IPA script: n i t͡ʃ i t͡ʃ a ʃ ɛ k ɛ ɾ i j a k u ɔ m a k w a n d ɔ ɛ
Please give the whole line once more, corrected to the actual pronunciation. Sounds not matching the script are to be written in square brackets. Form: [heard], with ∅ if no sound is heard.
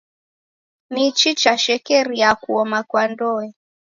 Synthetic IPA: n i t͡ʃ i t͡ʃ a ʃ ɛ k ɛ ɾ i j a k u ɔ m a k w a n d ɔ ɛ